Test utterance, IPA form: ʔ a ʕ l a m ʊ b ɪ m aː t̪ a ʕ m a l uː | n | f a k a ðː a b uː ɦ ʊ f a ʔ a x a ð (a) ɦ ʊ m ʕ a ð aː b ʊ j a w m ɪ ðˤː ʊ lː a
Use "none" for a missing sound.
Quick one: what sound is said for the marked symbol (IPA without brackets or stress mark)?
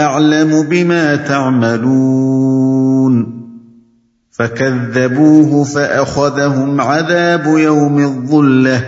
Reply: a